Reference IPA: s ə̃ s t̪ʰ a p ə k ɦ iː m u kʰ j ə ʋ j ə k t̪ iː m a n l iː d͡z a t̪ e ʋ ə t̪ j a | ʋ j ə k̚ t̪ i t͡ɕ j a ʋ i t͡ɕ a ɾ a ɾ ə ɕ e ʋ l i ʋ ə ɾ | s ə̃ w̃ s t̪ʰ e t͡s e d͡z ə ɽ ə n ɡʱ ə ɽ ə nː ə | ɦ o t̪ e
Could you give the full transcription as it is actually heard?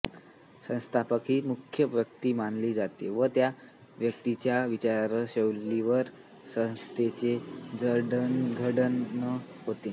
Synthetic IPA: s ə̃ s t̪ʰ a p ə k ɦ iː m u kʰ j ə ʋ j ə k t̪ iː m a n l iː d͡z a t̪ e ʋ ə t̪ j a | ʋ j ə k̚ t̪ i t͡ɕ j a ʋ i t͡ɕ a ɾ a ɾ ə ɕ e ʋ l i ʋ ə ɾ | s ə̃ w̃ s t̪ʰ e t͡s e d͡z ə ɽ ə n ɡʱ ə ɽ ə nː ə | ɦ o t̪ e

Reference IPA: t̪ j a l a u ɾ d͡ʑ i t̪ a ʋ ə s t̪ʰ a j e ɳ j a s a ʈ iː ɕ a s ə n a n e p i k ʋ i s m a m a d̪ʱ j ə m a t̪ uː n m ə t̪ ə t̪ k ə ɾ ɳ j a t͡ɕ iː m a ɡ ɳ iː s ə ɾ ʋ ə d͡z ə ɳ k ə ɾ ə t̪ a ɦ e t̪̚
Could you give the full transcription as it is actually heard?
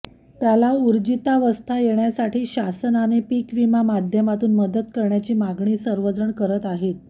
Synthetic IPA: t̪ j a l a u ɾ d͡ʑ i t̪ a ʋ ə s t̪ʰ a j e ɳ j a s a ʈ iː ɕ a s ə n a n e p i k ʋ i m a m a d̪ʱ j ə m a t̪ uː n m ə d̪ ə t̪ k ə ɾ ɳ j a t͡ɕ iː m a ɡ ɳ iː s ə ɾ ʋ ə d͡z ə ɳ k ə ɾ ə t̪ a ɦ e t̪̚

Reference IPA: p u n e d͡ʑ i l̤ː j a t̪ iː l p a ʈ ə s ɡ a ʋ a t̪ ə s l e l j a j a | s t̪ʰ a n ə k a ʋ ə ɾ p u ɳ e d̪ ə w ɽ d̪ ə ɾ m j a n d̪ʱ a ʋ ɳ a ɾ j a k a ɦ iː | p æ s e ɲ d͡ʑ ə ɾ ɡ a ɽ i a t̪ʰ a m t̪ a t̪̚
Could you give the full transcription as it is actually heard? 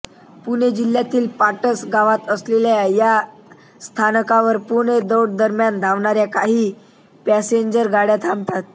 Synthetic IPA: p u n e d͡ʑ i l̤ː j a t̪ iː l p a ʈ ə s ɡ a ʋ a t̪ ə s l e l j a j a | s t̪ʰ a n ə k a ʋ ə ɾ p u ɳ e d̪ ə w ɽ d̪ ə ɾ m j a n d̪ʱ a ʋ ɳ a ɾ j a k a ɦ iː | p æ s e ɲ d͡ʑ ə ɾ ɡ a ɽ j a t̪ʰ a m t̪ a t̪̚

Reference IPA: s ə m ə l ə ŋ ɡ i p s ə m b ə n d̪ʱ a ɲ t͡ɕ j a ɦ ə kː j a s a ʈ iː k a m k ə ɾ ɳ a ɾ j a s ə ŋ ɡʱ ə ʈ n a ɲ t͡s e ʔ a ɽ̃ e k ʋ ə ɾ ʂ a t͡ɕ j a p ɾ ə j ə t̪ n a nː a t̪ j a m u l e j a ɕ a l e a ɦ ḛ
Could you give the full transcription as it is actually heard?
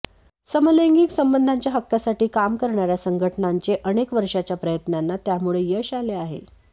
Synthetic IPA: s ə m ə l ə ŋ ɡ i k s ə m b ə n d̪ʱ a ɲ t͡ɕ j a ɦ ə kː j a s a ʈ iː k a m k ə ɾ ɳ a ɾ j a s ə ŋ ɡʱ ə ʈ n a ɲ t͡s e ʔ ə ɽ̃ e k ʋ ə ɾ ʂ a t͡ɕ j a p ɾ ə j ə t̪ n a nː a t̪ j a m u ɭ e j ə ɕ a l e a ɦ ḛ

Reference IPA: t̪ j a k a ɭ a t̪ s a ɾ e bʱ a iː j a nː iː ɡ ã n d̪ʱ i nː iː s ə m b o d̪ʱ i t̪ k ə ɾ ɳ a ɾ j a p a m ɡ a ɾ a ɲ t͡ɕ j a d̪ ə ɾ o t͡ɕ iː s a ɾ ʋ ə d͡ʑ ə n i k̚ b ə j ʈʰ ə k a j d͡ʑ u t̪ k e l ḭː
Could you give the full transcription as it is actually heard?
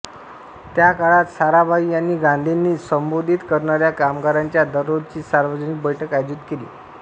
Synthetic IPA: t̪ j a k a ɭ a t̪ s a ɾ a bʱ a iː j a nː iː ɡ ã n d̪ʱ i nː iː s ə m b o d̪ʱ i t̪ k ə ɾ ɳ a ɾ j a k a m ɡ a ɾ a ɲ t͡ɕ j a d̪ ə ɾ o t͡ɕ iː s a ɾ ʋ ə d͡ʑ ə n i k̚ b ə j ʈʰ ə k a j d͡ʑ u t̪ k e l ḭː

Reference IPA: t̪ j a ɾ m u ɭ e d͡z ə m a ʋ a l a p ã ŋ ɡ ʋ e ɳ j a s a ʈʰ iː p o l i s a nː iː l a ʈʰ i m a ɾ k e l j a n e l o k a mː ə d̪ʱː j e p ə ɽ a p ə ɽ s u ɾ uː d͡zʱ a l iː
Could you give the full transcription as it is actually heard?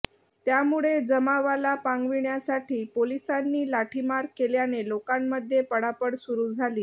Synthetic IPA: t̪ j a m u ɭ e d͡z ə m a ʋ a l a p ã ŋ ɡ ʋ i ɳ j a s a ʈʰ iː p o l i s a nː iː l a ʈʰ i m a ɾ k e l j a n e l o k a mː ə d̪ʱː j e p ə ɽ a p ə ɽ s u ɾ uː d͡zʱ a l iː

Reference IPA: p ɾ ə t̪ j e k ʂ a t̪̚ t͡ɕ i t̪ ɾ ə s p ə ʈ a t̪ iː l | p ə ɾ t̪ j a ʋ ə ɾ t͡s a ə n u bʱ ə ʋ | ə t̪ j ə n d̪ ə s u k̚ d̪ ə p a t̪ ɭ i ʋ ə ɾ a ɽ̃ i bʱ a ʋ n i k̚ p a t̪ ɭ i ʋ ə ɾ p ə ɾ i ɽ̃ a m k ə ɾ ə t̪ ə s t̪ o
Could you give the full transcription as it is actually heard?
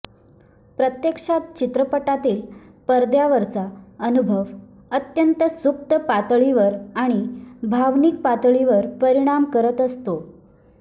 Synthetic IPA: p ɾ ə t̪ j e k ʂ a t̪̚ t͡ɕ i t̪ ɾ ə p ə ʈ a t̪ iː l | p ə ɾ d̪ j a ʋ ə ɾ t͡s a ə n u bʱ ə ʋ | ə t̪ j ə n t̪ ə s u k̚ t̪ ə p a t̪ ɭ i ʋ ə ɾ a ɽ̃ i bʱ a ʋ n i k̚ p a t̪ ɭ i ʋ ə ɾ p ə ɾ i ɽ̃ a m k ə ɾ ə t̪ ə s t̪ o

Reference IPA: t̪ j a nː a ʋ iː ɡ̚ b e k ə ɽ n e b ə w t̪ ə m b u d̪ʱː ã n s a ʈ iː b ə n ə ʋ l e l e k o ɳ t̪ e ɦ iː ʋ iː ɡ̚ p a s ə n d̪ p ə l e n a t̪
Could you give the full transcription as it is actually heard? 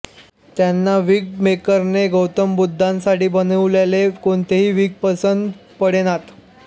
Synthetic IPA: t̪ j a nː a ʋ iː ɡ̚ m e k ə ɾ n e ɡ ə w t̪ ə m b u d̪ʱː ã n s a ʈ iː b ə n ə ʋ l e l e k o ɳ t̪ e ɦ iː ʋ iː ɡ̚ p ə s ə n d̪ p ə ɽ e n a t̪

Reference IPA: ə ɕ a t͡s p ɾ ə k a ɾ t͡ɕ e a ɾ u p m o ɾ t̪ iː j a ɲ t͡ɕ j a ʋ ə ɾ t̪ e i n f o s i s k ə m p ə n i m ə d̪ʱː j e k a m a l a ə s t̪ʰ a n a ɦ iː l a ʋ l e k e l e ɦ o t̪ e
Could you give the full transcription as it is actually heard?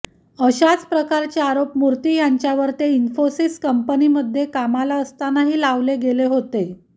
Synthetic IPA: ə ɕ a t͡s p ɾ ə k a ɾ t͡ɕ e a ɾ o p m u ɾ t̪ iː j a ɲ t͡ɕ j a ʋ ə ɾ t̪ e i n f o s i s k ə m p ə n i m ə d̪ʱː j e k a m a l a ə s t̪ a n a ɦ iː l a ʋ l e ɡ e l e ɦ o t̪ e

